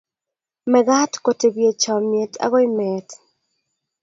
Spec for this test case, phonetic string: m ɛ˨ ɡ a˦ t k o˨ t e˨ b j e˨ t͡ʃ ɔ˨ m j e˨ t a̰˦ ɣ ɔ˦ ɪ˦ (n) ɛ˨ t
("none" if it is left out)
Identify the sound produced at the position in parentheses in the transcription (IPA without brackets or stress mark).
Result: m